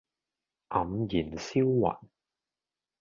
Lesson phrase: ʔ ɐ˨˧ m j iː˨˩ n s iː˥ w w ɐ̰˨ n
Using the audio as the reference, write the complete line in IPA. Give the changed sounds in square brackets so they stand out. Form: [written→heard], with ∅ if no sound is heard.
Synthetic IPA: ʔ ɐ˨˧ m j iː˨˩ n s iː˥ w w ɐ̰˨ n

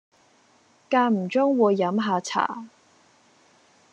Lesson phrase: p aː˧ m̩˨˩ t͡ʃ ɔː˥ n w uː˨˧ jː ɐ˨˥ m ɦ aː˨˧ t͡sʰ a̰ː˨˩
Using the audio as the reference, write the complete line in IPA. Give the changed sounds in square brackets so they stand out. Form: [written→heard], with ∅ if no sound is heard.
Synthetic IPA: [p→k] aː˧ m̩˨˩ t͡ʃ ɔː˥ [n→ŋ] w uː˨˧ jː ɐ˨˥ m ɦ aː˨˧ t͡sʰ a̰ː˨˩

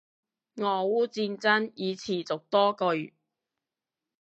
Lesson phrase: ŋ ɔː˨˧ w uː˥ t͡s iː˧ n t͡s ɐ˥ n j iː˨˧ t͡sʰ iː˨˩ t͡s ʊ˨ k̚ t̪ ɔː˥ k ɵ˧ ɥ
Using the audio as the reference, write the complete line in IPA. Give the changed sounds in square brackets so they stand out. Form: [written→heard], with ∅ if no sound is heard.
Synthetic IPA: ŋ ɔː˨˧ w uː˥ t͡s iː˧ n t͡s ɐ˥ n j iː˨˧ t͡sʰ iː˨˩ t͡s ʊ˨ k̚ t̪ ɔː˥ k ɵ˧ ɥ

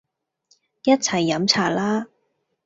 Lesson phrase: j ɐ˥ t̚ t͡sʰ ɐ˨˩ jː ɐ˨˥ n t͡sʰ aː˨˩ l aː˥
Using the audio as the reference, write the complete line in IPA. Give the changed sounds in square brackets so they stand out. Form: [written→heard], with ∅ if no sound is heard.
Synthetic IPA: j ɐ˥ t̚ t͡sʰ ɐ˨˩ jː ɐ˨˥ [n→m] t͡sʰ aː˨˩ l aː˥

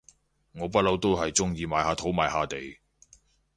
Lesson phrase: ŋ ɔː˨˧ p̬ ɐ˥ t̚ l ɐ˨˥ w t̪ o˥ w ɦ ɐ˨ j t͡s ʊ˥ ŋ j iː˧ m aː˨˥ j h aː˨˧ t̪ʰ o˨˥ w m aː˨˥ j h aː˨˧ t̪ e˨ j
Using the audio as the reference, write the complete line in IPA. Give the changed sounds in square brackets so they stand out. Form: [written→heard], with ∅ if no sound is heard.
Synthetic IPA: ŋ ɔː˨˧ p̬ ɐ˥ t̚ l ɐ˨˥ w t̪ o˥ w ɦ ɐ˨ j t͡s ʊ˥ ŋ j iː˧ m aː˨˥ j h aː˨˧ t̪ʰ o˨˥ w m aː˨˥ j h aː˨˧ t̪ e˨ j

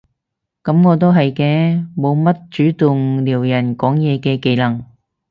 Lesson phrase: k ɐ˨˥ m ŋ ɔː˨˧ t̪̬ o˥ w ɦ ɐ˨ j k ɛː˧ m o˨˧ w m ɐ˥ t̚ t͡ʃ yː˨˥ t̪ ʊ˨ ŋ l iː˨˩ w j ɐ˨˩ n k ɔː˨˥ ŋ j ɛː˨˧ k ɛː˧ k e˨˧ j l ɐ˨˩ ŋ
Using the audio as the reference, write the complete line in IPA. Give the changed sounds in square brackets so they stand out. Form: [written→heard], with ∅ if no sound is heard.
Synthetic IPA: k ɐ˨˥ m ŋ ɔː˨˧ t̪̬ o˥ w ɦ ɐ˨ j k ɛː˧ m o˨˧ w m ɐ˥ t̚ t͡ʃ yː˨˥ t̪ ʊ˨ ŋ l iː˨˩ w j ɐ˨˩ n k ɔː˨˥ ŋ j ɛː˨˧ k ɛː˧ k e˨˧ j l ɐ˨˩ ŋ

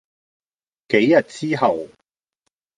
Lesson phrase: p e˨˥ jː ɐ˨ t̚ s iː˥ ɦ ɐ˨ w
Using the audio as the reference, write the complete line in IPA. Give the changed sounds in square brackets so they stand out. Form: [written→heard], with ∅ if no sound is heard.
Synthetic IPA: [p→k] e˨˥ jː ɐ˨ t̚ [s→t͡s] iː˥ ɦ ɐ˨ w

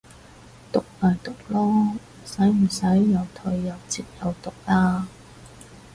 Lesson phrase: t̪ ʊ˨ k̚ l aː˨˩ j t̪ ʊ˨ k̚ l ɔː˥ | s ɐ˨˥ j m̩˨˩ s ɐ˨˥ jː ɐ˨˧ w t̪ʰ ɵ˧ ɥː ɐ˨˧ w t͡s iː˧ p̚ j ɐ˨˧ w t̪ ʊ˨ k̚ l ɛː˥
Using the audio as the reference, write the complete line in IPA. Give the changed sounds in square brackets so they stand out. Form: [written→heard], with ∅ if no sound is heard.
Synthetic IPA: t̪ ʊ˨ k̚ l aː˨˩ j t̪ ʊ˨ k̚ l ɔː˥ | s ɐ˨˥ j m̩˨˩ s ɐ˨˥ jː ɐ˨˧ w t̪ʰ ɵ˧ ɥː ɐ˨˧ w t͡s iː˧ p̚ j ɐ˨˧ w t̪ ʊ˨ k̚ l [ɛː˥→aː˥]

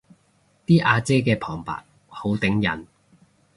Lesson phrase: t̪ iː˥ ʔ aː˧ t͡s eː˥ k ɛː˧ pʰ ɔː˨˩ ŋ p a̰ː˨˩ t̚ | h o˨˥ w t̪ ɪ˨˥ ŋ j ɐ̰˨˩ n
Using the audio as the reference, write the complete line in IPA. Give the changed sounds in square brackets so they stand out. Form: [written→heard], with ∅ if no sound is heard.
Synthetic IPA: t̪ iː˥ ʔ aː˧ t͡s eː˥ k ɛː˧ pʰ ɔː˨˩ ŋ p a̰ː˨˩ t̚ | h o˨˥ w t̪ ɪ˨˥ ŋ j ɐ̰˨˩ n

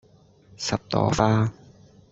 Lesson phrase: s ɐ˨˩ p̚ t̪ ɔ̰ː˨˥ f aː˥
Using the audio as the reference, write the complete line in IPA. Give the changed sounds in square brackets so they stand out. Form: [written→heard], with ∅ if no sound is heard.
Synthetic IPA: s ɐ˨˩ p̚ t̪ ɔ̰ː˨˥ f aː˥

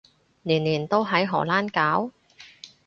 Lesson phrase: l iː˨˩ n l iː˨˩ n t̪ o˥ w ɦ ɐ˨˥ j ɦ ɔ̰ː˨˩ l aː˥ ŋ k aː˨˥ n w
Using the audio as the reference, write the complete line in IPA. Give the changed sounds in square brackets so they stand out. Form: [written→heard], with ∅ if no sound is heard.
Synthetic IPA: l iː˨˩ n l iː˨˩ n t̪ o˥ w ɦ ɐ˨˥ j ɦ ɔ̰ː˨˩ l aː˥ [ŋ→n] k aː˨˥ [n→∅] w

